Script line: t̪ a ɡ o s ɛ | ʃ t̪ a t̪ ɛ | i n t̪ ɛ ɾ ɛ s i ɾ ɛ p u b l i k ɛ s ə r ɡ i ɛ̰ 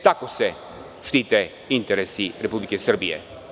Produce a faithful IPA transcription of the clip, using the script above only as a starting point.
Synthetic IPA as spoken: t̪ a k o s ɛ | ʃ t̪ i t̪ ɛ | i n t̪ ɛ ɾ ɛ s i ɾ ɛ p u b l i k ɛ s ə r b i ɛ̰